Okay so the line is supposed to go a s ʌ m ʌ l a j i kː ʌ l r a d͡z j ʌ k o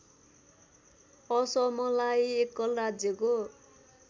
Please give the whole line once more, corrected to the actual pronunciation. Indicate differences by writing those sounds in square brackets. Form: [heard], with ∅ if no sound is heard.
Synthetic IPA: [ʌ] s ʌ m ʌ l a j [e] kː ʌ l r a d͡z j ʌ k o